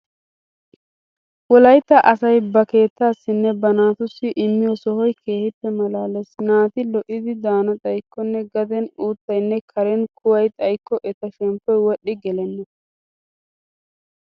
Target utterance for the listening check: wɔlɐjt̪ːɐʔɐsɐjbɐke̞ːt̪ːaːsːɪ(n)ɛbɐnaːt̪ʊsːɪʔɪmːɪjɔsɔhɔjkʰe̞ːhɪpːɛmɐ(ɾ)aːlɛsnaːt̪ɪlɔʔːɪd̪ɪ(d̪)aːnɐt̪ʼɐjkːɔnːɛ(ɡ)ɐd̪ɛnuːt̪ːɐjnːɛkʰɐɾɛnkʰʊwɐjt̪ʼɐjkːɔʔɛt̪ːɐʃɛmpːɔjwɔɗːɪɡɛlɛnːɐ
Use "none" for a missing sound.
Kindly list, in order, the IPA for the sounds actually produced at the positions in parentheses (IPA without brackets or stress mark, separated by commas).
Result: nː, l, d̪, ɡ